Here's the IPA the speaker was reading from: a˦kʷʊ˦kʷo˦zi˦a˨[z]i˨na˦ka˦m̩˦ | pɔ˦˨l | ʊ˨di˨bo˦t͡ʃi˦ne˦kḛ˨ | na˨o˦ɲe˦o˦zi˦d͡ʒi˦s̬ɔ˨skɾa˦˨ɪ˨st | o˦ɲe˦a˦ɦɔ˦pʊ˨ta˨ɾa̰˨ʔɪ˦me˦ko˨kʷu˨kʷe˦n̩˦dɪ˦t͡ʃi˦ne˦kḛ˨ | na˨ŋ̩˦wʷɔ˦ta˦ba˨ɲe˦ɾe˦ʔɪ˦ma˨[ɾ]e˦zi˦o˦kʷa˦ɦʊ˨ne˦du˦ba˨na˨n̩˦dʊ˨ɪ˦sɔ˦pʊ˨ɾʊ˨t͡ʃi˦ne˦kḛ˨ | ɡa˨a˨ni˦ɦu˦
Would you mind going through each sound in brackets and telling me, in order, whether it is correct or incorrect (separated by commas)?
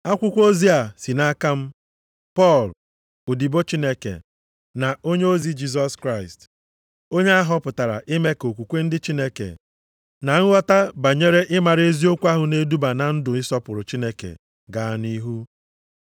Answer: incorrect, correct